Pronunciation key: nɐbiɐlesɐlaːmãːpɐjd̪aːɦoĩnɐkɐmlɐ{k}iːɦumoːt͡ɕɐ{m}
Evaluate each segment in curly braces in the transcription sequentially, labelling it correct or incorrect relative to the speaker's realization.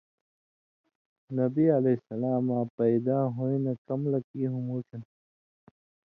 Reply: correct, incorrect: n

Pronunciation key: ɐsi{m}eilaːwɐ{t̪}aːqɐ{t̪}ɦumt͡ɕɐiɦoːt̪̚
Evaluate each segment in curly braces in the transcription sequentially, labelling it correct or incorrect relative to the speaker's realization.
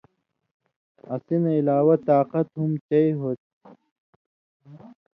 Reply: incorrect: n, correct, correct

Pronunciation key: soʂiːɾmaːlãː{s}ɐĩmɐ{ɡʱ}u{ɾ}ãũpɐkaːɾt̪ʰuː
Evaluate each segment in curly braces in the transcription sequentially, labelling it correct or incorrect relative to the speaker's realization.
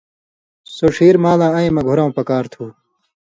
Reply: incorrect: none, correct, correct

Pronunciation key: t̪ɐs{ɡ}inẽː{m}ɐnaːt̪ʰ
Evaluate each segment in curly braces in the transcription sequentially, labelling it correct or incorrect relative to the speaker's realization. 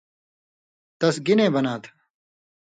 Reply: correct, incorrect: b

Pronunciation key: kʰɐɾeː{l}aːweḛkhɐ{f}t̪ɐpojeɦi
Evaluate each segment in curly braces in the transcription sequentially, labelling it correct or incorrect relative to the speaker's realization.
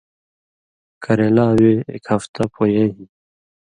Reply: correct, correct

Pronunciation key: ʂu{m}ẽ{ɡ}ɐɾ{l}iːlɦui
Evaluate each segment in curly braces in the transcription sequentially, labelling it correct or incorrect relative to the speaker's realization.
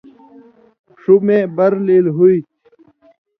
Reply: correct, incorrect: b, correct

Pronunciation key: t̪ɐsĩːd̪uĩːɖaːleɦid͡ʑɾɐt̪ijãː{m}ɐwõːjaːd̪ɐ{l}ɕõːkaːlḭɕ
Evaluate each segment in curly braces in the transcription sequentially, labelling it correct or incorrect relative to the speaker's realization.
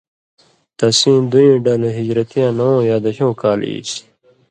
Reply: incorrect: n, incorrect: none

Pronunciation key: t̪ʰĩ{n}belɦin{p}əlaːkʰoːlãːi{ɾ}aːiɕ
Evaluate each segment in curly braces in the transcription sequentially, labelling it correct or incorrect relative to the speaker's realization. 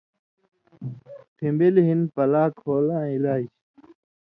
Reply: incorrect: m, correct, incorrect: l

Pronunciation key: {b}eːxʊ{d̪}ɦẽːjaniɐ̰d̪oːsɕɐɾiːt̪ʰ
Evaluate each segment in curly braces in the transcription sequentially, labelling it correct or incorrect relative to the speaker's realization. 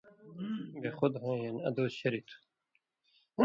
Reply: correct, correct

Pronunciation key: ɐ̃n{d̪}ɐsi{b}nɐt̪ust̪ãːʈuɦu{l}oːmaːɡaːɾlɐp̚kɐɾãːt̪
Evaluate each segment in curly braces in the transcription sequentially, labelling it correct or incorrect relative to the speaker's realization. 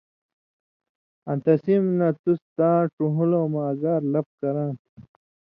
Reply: incorrect: t̪, incorrect: m, correct

